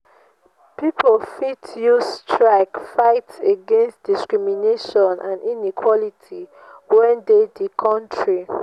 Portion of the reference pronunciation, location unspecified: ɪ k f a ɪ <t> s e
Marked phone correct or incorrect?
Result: correct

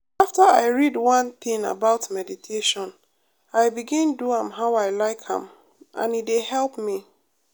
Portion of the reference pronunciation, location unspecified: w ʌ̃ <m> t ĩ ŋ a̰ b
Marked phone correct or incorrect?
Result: incorrect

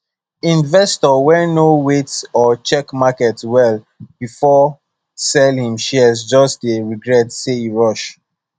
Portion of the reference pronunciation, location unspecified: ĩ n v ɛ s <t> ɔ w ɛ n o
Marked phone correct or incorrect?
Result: correct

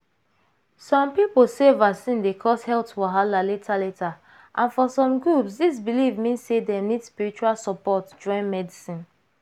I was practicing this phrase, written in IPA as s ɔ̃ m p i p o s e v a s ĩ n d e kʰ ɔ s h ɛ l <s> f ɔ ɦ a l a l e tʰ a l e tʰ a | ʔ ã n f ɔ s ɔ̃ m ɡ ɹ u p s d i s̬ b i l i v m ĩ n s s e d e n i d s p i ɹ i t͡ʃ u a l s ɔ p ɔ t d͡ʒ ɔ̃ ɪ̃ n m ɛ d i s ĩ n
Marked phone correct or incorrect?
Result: incorrect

